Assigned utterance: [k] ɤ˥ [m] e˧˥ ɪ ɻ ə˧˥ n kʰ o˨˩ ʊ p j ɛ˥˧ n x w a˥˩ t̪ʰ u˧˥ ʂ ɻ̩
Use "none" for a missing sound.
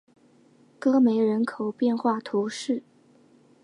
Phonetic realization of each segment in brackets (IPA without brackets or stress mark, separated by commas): k, m